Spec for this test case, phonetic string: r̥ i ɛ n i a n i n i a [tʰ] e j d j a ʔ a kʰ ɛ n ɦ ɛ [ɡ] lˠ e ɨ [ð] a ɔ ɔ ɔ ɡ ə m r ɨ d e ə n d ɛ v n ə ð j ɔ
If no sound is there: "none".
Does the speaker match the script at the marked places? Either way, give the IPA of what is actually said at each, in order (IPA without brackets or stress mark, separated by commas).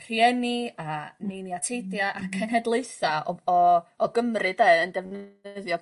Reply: tʰ, d, θ